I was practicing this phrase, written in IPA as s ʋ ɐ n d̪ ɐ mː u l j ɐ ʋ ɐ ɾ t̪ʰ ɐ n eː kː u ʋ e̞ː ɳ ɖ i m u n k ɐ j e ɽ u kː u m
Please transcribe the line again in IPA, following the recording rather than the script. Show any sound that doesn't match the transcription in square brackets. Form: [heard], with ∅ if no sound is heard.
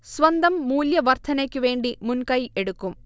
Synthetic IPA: s ʋ ɐ n d̪ ɐ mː [uː] l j ɐ ʋ ɐ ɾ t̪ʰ ɐ n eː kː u ʋ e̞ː ɳ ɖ i m u n k ɐ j e ɽ u kː u m